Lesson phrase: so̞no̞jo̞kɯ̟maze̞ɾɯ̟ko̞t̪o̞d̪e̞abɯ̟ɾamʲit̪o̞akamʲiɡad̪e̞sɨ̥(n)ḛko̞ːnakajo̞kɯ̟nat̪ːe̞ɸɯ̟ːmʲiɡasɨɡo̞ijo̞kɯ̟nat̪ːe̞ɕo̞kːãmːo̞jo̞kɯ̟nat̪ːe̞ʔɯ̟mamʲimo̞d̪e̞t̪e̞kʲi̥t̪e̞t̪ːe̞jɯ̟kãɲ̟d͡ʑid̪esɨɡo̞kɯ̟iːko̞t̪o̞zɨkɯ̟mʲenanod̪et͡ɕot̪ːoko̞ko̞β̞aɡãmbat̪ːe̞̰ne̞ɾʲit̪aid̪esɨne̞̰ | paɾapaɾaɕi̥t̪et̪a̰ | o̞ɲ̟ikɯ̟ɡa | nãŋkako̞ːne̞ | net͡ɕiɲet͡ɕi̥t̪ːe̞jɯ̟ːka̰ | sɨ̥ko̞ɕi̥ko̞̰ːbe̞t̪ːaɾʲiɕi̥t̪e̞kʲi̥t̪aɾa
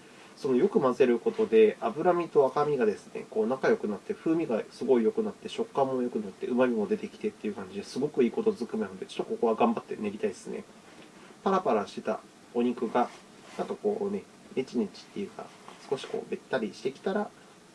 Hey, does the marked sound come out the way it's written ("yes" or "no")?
yes